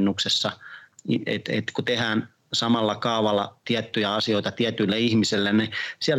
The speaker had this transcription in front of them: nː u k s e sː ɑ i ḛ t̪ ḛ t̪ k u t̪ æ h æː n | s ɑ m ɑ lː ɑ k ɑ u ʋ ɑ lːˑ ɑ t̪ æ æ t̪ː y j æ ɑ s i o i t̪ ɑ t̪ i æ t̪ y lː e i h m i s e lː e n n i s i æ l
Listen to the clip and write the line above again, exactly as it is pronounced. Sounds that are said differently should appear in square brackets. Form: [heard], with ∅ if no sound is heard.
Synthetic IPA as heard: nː u k s e sː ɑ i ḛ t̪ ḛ t̪ k u t̪ [e] h æː n | s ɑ m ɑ lː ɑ k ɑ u ʋ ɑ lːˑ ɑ t̪ [i] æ t̪ː y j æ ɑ s i o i t̪ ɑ t̪ i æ t̪ y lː e i h m i s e lː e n n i s i æ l